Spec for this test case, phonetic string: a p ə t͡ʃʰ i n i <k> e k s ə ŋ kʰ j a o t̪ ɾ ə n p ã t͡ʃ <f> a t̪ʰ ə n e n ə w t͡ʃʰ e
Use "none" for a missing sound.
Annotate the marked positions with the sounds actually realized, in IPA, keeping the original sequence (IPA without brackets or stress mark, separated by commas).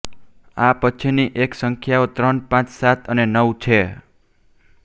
ʔ, s